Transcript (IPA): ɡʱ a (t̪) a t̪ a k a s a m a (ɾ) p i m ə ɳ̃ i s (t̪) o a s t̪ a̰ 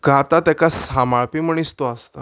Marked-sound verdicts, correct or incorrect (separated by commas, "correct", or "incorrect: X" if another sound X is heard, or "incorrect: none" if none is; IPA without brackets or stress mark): correct, incorrect: ɭ, correct